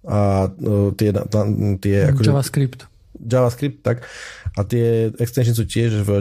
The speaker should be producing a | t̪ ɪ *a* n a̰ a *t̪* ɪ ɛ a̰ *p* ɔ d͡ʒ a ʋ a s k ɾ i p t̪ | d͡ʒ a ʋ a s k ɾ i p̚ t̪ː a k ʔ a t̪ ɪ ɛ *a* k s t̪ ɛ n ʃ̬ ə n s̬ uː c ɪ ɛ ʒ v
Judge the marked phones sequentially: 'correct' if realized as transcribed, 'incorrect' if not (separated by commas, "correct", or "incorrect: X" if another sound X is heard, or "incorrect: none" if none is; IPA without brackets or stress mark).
incorrect: ɛ, correct, incorrect: k, incorrect: ɛ